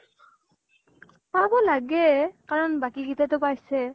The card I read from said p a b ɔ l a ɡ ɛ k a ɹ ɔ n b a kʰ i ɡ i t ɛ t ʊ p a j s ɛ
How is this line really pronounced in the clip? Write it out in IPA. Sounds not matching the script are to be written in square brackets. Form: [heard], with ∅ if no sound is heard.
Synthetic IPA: p a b ɔ l a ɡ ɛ k a ɹ ɔ n b a [k] i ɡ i t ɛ t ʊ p a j s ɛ